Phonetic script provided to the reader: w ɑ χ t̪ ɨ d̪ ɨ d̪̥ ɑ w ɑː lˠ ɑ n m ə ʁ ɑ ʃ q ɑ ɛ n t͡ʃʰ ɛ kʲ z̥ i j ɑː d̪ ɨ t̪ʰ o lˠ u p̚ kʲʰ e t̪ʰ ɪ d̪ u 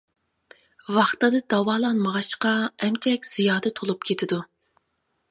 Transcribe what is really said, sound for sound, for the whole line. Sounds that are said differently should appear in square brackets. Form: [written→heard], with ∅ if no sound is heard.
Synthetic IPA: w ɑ χ t̪ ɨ d̪ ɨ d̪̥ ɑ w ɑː lˠ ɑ n m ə ʁ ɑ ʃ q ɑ ɛ [n→m] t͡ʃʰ ɛ kʲ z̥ i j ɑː d̪ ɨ t̪ʰ o lˠ u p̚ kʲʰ e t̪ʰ ɪ d̪ u